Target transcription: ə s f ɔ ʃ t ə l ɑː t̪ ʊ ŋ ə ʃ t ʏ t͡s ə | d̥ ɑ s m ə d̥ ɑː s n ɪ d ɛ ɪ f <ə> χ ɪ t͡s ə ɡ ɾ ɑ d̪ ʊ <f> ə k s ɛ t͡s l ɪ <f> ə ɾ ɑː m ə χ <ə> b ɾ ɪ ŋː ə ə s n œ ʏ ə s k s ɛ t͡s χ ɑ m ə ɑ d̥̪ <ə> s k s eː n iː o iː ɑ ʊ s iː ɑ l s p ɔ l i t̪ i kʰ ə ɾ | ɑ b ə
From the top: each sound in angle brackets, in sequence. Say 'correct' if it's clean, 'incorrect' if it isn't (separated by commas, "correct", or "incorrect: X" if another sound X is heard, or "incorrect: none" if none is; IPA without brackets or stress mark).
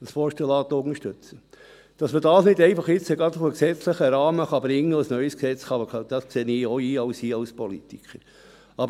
incorrect: ɑ, correct, incorrect: χ, incorrect: ɑ, incorrect: ɑ